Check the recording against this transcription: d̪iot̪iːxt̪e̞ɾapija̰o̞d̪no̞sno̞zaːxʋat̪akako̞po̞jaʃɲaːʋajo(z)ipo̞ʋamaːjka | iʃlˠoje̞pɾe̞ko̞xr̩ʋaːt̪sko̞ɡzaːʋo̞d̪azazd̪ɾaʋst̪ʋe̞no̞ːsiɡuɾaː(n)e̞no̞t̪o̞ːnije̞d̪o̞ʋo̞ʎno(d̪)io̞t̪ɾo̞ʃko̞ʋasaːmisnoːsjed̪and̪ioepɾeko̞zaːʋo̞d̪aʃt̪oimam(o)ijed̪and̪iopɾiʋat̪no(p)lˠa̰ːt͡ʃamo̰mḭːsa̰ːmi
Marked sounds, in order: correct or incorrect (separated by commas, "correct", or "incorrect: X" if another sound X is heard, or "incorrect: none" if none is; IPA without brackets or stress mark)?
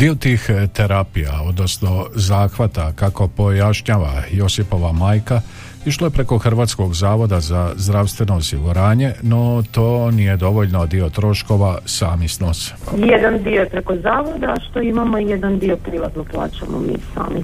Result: incorrect: s, incorrect: ɲ, correct, correct, correct